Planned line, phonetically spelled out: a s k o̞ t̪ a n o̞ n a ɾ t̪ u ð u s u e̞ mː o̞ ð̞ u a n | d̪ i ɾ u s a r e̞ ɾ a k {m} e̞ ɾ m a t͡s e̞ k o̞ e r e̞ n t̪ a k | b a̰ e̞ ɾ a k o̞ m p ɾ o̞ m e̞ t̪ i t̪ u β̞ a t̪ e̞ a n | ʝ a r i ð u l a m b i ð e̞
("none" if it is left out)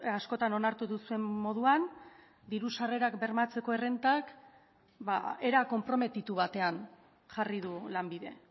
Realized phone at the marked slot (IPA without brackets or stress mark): b